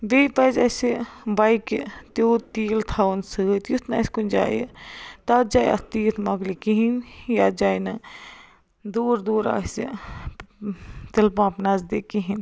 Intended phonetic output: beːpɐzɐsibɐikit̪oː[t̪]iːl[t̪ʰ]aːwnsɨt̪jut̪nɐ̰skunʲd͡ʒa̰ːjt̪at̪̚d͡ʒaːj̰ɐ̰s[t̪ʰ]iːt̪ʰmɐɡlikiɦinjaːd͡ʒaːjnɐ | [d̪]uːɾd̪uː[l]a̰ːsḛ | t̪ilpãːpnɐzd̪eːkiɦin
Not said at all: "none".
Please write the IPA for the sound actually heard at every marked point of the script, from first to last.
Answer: t̪, t̪ʰ, t̪, d̪, ɾ

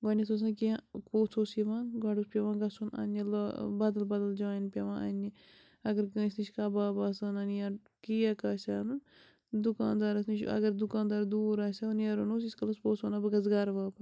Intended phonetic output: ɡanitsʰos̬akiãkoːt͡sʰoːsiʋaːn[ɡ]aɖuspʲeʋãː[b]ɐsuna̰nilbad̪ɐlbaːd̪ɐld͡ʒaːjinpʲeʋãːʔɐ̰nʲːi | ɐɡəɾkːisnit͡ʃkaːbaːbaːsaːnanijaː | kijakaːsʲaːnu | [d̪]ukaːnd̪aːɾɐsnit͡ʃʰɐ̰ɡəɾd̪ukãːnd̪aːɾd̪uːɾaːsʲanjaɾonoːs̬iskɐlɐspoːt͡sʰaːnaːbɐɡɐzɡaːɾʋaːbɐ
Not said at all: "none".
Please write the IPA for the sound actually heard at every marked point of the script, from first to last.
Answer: ɡ, ɡ, d̪

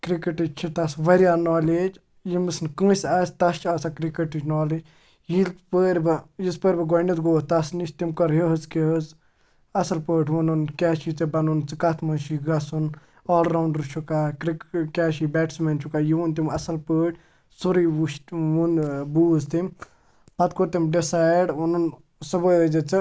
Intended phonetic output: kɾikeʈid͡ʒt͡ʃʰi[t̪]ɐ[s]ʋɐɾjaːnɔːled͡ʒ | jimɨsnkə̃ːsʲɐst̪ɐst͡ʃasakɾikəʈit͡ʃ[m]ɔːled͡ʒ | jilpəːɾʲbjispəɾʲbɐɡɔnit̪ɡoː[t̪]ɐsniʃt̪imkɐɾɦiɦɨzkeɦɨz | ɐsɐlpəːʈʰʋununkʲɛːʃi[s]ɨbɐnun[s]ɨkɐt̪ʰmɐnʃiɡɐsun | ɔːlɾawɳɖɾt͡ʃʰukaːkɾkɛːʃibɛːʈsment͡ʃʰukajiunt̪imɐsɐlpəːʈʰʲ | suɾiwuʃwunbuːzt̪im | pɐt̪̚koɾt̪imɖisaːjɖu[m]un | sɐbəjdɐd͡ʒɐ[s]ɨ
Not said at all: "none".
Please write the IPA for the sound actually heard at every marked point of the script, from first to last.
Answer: t̪, s, n, t̪, t͡s, t͡s, n, t͡s

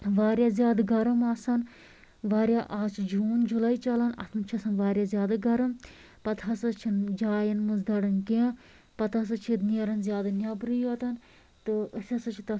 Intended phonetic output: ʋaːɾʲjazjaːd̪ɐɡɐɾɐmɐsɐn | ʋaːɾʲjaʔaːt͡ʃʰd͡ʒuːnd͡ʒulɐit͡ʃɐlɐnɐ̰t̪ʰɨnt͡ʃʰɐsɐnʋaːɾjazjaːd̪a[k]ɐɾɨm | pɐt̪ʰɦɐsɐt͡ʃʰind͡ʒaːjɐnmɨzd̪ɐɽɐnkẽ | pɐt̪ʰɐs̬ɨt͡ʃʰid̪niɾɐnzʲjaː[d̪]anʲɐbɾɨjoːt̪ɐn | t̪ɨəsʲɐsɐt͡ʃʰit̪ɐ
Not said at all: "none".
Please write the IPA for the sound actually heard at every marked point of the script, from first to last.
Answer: ɡ, d̪

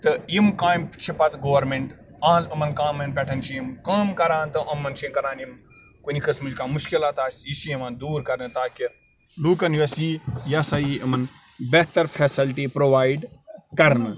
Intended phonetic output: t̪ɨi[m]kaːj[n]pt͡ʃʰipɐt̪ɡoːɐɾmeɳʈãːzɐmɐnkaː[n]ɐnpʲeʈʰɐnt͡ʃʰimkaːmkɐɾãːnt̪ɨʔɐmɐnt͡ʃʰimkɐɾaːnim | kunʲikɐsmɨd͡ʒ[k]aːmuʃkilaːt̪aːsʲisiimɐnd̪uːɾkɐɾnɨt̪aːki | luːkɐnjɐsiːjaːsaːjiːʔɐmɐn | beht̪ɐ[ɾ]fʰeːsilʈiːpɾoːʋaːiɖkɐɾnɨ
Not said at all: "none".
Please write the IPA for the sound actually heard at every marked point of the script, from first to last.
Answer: m, m, m, k, ɾ

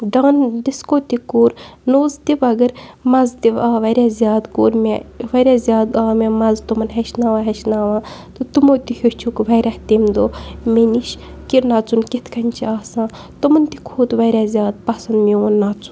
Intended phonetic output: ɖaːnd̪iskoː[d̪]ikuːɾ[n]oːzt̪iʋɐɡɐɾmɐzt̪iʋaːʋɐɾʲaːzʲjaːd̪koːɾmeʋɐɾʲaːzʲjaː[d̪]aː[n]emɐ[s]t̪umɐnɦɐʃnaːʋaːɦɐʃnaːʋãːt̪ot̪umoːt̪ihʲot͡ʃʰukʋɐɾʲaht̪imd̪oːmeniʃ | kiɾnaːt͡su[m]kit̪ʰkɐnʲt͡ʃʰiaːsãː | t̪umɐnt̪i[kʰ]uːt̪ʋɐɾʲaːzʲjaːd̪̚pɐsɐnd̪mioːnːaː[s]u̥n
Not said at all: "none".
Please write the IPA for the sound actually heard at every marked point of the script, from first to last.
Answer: t̪, n, d̪, m, z, n, kʰ, t͡s

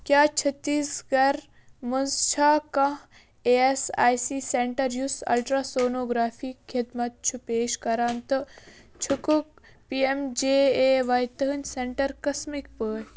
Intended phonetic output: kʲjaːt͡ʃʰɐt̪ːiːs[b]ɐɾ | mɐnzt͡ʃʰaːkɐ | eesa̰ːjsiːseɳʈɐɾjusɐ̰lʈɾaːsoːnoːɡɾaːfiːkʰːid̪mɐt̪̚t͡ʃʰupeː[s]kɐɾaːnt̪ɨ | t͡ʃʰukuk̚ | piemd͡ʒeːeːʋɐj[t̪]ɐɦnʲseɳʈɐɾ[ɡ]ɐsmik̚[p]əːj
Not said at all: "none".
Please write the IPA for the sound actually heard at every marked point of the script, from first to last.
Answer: ɡ, ʃ, t̪, k, p

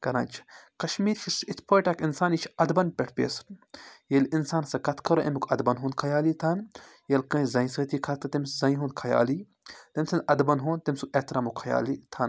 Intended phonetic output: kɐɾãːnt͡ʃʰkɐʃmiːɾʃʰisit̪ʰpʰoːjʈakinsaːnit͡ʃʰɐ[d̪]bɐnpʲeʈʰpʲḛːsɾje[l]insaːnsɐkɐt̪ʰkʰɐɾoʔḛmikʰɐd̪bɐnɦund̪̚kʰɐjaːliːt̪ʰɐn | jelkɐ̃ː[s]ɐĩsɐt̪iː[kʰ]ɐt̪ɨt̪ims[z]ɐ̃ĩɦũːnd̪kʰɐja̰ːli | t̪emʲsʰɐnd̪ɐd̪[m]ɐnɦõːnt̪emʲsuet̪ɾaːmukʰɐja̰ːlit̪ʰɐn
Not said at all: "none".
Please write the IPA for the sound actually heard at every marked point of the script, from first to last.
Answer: d̪, l, z, kʰ, z, b

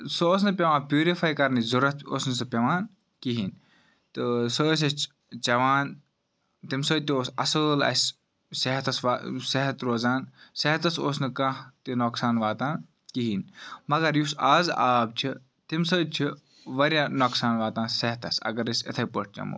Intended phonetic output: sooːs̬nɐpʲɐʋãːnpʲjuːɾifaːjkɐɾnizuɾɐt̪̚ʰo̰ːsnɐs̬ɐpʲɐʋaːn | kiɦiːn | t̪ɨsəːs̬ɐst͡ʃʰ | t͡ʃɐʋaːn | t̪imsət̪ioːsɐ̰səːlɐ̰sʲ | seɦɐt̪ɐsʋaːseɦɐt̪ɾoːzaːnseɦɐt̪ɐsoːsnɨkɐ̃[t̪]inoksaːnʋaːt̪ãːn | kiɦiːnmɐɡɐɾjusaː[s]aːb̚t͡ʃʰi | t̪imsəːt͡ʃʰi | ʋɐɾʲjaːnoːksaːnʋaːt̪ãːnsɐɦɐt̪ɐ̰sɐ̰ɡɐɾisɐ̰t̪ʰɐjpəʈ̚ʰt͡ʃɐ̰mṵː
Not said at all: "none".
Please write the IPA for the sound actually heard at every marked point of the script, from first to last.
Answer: t̪, z

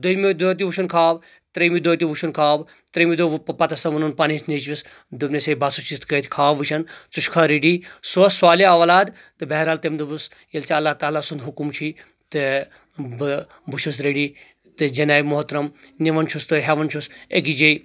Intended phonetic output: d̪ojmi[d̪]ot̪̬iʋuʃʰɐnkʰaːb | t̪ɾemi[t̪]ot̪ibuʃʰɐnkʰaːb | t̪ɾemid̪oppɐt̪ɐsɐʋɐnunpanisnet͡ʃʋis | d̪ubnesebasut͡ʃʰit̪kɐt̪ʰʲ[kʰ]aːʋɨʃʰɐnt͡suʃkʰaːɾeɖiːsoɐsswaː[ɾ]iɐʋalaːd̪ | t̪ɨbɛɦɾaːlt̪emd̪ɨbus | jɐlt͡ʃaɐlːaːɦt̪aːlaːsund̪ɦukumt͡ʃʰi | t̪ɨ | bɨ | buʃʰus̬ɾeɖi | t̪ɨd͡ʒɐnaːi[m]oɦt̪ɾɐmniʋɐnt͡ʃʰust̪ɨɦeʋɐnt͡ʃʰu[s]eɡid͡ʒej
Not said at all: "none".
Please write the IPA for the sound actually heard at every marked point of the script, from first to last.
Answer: d̪, d̪, kʰ, l, m, s

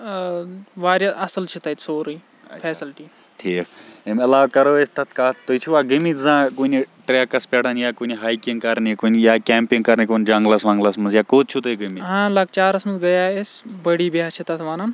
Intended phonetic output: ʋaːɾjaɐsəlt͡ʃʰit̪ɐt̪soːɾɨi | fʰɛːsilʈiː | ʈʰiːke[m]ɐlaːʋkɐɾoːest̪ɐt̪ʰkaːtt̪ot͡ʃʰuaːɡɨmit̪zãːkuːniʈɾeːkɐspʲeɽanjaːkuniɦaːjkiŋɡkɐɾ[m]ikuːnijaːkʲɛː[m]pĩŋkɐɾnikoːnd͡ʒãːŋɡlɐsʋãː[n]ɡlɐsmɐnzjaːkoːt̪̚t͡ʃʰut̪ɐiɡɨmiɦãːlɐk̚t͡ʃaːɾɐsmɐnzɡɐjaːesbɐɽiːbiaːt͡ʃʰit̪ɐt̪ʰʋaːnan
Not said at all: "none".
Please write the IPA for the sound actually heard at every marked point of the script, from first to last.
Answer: m, n, m, ŋ

